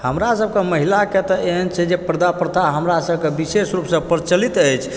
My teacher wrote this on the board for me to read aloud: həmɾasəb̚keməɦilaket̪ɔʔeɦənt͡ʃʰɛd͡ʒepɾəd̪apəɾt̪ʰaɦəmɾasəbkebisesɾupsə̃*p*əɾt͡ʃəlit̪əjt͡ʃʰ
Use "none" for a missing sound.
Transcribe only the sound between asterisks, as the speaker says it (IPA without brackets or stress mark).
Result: p